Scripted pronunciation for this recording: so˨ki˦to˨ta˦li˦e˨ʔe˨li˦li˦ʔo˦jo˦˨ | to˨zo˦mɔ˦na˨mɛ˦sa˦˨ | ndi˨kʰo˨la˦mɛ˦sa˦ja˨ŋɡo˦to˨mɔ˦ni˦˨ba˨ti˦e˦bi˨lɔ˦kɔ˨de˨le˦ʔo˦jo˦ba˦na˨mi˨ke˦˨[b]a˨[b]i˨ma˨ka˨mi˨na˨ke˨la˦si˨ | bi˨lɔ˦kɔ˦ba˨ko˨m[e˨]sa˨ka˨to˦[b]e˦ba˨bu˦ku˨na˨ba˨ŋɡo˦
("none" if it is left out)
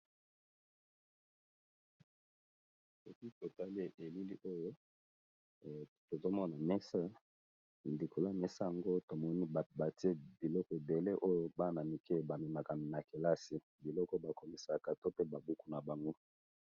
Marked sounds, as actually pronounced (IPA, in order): b, m, i˨, p

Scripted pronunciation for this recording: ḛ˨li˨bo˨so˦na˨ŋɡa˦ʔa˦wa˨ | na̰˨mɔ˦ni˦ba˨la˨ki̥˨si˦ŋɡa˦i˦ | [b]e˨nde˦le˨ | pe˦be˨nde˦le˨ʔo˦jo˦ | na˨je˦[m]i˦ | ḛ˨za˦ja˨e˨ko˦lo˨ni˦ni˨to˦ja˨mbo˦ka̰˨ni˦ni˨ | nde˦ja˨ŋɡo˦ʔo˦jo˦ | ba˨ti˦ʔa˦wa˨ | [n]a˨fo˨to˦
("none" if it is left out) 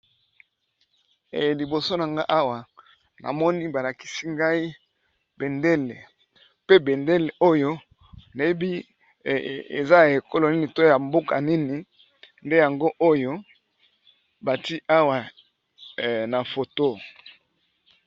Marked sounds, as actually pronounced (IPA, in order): b, b, n

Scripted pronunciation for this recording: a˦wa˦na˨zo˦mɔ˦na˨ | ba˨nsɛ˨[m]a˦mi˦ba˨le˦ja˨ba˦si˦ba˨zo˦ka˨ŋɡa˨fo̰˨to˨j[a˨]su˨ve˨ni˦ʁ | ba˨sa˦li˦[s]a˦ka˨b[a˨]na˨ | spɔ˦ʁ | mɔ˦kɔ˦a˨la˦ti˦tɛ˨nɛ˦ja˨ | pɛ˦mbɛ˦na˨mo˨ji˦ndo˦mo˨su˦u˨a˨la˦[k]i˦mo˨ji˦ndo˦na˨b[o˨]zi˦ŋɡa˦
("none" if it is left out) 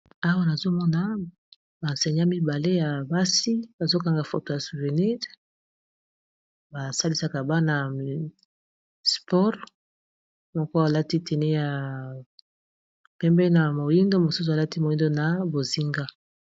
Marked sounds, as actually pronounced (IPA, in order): ɲ, a˨, s, a˦, t, o˨

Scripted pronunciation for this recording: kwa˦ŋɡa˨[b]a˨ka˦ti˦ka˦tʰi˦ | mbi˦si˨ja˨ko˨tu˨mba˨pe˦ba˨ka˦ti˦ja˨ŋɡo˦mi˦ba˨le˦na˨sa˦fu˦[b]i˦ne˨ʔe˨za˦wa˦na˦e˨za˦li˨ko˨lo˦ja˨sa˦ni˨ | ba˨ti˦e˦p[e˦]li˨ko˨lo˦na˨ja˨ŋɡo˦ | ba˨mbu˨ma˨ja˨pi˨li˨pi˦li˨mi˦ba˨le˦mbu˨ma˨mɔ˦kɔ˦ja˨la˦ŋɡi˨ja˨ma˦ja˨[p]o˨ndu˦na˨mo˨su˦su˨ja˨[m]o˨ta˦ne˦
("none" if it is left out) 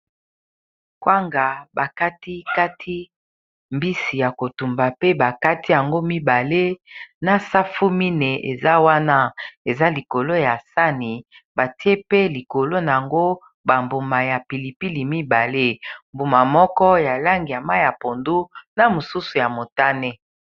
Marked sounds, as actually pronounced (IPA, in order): b, m, e˦, p, m

